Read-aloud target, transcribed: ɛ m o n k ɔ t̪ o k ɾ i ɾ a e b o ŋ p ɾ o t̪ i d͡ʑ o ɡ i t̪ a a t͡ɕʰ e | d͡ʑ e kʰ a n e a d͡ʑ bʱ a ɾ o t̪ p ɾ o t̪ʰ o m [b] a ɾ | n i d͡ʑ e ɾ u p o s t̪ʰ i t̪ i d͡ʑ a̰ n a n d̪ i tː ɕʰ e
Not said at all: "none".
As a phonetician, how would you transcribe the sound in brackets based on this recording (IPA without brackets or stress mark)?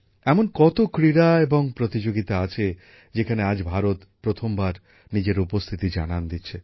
b